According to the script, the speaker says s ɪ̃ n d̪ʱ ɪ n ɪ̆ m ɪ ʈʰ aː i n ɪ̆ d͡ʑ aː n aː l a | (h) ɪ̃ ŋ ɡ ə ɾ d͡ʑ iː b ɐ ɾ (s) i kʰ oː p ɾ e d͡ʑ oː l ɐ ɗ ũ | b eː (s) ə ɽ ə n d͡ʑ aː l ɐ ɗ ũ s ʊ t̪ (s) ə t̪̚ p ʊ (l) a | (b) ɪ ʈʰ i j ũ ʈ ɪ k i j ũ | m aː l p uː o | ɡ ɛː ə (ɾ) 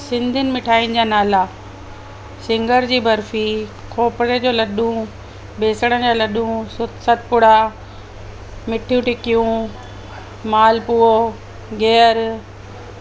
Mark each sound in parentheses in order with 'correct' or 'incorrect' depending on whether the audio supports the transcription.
incorrect: s, incorrect: f, correct, correct, incorrect: ɽ, incorrect: m, correct

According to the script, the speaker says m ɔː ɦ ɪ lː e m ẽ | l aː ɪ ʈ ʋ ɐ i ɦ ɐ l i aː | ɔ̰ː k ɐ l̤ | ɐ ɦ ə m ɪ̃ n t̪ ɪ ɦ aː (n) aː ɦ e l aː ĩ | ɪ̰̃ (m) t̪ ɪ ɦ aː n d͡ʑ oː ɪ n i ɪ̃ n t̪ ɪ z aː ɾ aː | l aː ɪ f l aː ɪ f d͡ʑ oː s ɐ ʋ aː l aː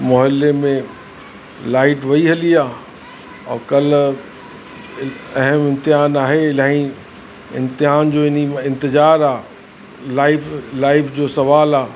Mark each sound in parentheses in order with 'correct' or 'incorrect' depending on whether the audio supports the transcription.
correct, incorrect: n

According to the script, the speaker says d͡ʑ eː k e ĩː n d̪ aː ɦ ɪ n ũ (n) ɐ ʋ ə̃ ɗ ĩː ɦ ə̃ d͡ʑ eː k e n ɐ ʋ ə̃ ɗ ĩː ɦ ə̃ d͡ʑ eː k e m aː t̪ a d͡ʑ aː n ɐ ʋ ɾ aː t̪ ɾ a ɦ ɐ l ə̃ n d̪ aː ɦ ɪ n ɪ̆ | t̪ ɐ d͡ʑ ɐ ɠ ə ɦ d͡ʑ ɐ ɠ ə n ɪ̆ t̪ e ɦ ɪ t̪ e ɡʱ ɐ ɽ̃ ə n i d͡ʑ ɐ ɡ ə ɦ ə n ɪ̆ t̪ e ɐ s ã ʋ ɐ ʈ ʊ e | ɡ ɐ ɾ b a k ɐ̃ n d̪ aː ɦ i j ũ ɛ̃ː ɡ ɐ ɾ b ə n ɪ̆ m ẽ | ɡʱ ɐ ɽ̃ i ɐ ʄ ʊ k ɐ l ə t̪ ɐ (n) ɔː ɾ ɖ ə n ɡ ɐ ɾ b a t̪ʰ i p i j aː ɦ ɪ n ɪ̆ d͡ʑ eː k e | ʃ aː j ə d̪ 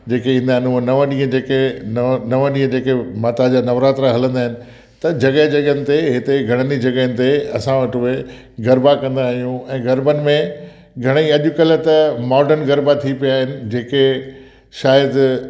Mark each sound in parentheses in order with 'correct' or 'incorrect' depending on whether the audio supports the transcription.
correct, incorrect: m

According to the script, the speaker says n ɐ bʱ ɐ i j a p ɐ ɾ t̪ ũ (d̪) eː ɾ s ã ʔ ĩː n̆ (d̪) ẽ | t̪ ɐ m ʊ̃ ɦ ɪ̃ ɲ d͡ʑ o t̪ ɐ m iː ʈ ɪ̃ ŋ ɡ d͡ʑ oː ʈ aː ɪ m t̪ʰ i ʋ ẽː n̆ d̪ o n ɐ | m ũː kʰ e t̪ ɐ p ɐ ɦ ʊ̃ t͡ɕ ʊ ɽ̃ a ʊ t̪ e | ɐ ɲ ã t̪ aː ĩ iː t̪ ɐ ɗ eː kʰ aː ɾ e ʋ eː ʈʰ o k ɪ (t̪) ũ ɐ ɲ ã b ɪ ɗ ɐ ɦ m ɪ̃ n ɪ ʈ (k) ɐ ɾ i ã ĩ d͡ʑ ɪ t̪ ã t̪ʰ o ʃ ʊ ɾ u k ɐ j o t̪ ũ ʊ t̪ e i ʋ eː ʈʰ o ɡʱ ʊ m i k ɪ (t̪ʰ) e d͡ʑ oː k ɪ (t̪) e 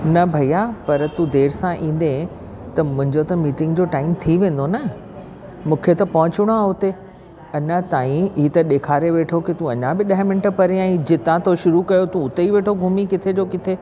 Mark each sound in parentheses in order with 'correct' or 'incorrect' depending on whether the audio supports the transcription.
correct, correct, correct, incorrect: p, correct, incorrect: t̪ʰ

